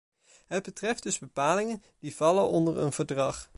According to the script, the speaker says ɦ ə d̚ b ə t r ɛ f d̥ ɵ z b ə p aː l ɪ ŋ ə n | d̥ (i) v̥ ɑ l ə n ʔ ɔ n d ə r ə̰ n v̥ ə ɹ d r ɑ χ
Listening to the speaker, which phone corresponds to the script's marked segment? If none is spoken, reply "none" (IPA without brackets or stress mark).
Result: i